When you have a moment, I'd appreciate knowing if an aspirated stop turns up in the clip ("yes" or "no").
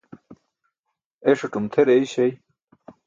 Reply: yes